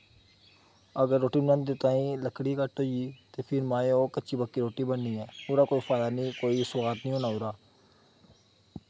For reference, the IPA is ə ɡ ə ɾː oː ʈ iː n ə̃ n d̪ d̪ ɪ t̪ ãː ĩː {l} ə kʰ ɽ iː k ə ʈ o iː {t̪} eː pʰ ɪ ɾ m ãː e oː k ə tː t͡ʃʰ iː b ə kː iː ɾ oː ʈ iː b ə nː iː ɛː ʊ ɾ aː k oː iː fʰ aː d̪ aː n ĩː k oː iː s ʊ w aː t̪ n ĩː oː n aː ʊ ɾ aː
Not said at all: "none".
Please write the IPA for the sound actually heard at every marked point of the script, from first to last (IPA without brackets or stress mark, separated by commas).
l, t̪